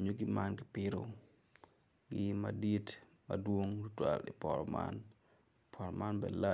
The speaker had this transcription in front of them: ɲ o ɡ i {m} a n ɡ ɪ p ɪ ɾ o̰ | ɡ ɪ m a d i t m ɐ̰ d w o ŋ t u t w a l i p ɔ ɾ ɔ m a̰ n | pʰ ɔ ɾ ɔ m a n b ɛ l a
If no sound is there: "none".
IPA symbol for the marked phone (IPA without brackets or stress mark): m